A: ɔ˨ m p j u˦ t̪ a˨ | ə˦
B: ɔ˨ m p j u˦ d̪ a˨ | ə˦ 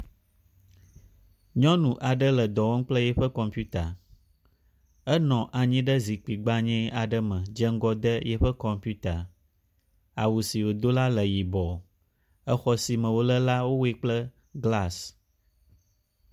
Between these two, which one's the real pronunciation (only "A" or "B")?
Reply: A